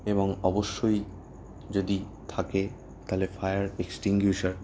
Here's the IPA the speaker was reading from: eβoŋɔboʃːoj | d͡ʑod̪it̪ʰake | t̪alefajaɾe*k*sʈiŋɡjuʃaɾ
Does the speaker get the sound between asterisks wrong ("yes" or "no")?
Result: no